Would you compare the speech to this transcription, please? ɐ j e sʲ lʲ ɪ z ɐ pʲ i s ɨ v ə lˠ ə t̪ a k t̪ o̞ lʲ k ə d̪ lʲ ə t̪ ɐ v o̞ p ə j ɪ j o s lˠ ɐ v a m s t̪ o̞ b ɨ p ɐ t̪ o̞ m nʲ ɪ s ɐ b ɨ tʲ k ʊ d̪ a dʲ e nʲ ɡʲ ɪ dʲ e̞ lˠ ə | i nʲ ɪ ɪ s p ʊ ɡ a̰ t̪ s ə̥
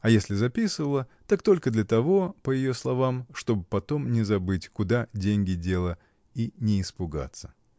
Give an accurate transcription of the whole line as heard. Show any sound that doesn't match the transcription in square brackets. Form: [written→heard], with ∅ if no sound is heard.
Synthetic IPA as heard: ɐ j e sʲ lʲ ɪ z ɐ pʲ i s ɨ v ə lˠ ə t̪ a k t̪ o̞ lʲ k ə d̪ lʲ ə t̪ ɐ v o̞ p ə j ɪ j o s lˠ ɐ v a m [s→ʂ] t̪ o̞ b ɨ p ɐ t̪ o̞ m nʲ ɪ [s→z] ɐ b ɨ tʲ k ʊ d̪ a dʲ e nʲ ɡʲ ɪ dʲ e̞ lˠ ə | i nʲ ɪ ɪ s p ʊ ɡ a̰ t̪ s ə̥